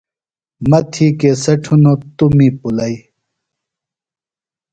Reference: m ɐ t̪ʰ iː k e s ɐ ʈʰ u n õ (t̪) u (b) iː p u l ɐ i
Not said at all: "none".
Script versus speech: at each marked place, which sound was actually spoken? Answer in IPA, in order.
t̪, m

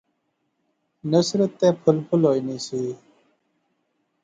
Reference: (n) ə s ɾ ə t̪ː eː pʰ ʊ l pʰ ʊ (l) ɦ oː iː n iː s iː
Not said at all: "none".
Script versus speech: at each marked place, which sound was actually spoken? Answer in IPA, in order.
n, l

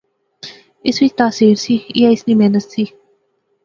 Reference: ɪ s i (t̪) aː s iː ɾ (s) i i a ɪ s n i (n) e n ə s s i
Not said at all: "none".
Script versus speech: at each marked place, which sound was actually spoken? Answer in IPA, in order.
t̪, s, m

